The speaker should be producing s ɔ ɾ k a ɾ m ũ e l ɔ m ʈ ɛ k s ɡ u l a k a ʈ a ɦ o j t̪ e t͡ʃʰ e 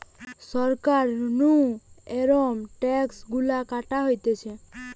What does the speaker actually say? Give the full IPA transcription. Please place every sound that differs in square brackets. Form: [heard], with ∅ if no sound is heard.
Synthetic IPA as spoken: s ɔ ɾ k a ɾ [n] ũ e [ɾ] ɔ m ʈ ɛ k s ɡ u l a k a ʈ a ɦ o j t̪ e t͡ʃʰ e